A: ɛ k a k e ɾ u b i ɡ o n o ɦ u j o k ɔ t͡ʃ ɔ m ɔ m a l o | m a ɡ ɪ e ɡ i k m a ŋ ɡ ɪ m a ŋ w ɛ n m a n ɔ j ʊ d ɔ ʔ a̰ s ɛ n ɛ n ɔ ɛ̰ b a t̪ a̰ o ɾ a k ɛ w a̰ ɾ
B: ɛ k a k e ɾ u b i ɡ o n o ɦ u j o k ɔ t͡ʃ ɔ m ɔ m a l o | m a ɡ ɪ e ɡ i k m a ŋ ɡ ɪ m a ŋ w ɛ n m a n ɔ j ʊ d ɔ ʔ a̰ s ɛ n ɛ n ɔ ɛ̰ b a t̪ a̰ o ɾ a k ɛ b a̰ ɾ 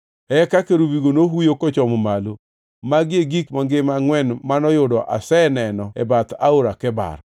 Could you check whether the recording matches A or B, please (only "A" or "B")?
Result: B